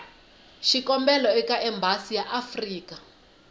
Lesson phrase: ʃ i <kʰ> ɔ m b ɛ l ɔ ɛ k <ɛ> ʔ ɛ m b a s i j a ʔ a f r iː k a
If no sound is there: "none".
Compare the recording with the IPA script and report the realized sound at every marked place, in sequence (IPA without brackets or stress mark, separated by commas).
k, a